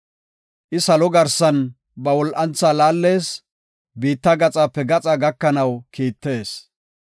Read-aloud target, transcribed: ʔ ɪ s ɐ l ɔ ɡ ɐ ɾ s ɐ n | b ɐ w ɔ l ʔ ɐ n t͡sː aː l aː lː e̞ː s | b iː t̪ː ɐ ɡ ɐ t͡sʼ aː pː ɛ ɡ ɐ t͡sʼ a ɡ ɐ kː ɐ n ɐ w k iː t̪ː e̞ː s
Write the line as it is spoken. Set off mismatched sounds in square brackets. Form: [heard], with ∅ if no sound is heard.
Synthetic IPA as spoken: ʔ ɪ s ɐ l ɔ ɡ ɐ ɾ s ɐ n | b ɐ w ɔ l ʔ ɐ n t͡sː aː l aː lː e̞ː s | b iː t̪ː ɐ ɡ ɐ t͡sʼ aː pː ɛ ɡ ɐ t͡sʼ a ɡ ɐ kː ɐ n ɐ w k iː t̪ː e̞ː s